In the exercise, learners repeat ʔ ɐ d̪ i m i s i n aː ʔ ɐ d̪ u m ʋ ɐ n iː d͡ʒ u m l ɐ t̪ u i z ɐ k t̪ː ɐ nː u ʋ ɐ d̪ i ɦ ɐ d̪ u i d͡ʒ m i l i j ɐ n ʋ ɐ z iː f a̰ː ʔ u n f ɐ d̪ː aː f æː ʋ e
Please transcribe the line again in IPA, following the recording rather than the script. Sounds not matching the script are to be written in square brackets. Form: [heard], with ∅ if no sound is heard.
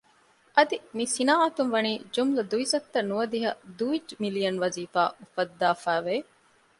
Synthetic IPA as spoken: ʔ ɐ d̪ i m i s i n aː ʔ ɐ [t̪] u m ʋ ɐ n iː d͡ʒ u m l ɐ [d̪] u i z ɐ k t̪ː ɐ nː u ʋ ɐ d̪ i ɦ ɐ d̪ u i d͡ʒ m i l i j ɐ n ʋ ɐ z iː f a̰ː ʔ u [∅] f ɐ d̪ː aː f æː ʋ e